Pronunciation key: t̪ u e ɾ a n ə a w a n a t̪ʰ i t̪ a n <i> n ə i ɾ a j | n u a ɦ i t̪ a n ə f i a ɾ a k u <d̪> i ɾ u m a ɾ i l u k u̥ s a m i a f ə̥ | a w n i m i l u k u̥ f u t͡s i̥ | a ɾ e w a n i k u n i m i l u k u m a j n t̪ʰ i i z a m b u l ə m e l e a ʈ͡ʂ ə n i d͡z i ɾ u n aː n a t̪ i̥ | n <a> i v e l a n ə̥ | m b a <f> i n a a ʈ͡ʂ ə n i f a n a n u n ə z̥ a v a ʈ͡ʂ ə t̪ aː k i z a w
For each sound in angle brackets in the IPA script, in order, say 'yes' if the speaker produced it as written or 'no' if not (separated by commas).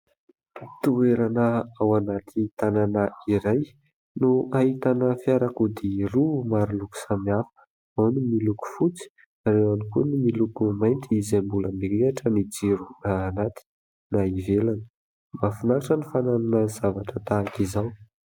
no, yes, yes, yes